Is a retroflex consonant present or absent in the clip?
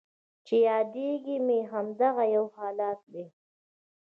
absent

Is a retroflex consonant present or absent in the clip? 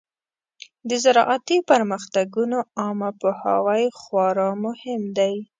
absent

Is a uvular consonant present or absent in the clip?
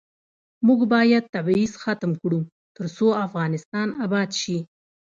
absent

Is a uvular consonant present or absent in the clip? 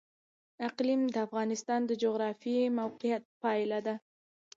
present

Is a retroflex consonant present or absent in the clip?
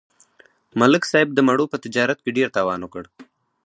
present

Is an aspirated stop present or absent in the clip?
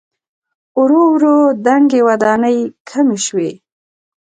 present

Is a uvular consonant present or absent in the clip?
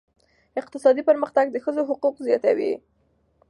present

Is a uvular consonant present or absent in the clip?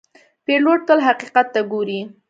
present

